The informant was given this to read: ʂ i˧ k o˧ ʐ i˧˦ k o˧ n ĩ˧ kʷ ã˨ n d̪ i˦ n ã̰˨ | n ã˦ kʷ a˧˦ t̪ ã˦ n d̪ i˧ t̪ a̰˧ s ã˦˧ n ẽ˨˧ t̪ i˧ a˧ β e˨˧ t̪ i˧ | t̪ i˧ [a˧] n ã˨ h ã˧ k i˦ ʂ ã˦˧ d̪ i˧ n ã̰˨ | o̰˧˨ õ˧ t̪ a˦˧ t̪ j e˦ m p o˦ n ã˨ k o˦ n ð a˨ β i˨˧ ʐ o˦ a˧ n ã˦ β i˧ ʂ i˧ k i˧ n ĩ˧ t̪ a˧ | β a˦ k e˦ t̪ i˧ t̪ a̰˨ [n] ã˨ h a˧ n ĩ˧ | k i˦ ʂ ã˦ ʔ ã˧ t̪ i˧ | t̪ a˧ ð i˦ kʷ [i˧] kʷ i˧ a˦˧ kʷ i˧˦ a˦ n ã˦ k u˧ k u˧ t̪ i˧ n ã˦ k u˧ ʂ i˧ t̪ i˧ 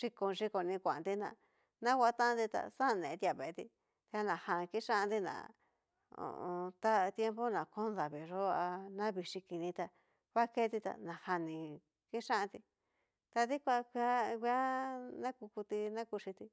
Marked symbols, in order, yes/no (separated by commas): yes, yes, no